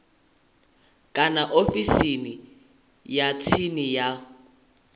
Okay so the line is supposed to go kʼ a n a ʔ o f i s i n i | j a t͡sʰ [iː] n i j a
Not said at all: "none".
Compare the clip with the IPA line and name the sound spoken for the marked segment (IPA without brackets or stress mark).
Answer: i